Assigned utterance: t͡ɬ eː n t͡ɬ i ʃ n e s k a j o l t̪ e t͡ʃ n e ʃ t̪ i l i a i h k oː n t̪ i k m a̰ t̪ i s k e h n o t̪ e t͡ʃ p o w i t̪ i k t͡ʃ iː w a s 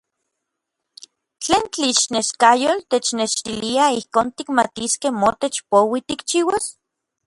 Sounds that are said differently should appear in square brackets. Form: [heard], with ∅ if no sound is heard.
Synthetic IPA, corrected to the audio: t͡ɬ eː n t͡ɬ i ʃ n e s k a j o l t̪ e t͡ʃ n e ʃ t̪ i l i a i h k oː n t̪ i k m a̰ t̪ i s k e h [m] o t̪ e t͡ʃ p o w i t̪ i k t͡ʃ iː w a s